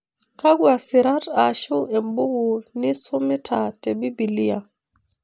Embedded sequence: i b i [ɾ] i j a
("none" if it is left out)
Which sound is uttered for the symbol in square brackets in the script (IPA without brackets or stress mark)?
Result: l